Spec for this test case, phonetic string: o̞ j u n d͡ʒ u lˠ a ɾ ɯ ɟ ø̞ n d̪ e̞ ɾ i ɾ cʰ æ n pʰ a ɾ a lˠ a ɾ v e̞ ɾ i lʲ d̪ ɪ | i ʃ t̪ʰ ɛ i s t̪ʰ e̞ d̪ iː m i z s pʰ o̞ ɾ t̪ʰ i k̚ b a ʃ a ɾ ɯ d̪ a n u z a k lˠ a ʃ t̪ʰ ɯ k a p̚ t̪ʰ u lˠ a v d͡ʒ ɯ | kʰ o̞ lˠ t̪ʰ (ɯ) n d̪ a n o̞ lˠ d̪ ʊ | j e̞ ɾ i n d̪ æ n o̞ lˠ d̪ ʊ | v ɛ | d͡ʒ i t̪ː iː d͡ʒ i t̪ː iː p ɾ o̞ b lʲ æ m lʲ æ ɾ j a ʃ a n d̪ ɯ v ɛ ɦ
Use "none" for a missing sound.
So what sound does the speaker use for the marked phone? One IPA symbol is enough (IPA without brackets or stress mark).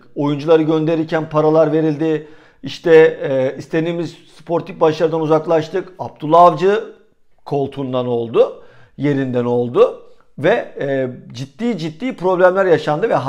u